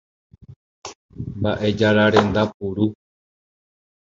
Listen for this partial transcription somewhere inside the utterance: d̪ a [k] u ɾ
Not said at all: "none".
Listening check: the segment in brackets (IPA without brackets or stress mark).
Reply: p